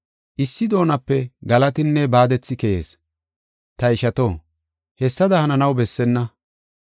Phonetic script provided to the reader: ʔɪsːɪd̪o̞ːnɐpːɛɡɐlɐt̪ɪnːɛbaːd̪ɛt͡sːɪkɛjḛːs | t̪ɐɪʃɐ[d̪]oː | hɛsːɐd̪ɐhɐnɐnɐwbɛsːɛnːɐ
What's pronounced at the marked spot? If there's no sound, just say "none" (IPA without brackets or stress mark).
t̪